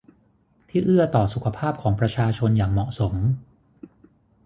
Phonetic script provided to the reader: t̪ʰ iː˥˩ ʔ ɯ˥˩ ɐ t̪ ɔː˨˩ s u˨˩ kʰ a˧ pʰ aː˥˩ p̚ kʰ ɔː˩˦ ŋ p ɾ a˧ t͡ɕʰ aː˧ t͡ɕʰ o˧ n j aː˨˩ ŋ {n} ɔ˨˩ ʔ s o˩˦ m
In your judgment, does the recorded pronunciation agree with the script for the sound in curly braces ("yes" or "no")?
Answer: no